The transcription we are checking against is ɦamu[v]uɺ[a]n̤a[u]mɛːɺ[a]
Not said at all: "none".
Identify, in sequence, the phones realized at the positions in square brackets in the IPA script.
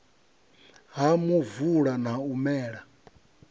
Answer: v, a, u, a

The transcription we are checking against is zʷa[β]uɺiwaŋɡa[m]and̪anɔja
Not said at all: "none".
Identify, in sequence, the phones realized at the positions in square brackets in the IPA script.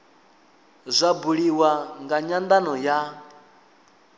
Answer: b, ɲ

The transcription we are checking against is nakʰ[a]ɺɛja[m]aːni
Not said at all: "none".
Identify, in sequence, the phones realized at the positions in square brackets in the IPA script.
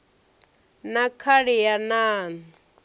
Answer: a, n

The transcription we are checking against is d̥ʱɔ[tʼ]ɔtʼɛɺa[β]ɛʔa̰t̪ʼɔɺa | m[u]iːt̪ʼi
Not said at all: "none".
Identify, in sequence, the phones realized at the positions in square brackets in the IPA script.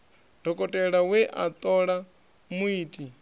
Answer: kʼ, w, u

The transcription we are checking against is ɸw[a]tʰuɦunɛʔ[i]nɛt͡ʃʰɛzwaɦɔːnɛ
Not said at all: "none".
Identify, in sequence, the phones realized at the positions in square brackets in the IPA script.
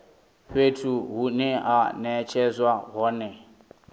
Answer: e, a

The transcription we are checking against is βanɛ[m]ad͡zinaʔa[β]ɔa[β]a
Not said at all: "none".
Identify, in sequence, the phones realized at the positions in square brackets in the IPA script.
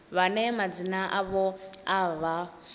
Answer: m, β, β

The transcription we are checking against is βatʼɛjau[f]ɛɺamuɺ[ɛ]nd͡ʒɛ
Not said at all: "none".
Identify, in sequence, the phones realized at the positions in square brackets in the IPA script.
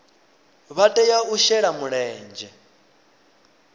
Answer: ʃ, ɛː

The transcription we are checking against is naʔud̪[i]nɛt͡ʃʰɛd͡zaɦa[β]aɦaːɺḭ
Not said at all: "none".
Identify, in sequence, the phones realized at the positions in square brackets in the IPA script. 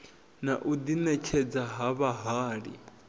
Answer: i, β

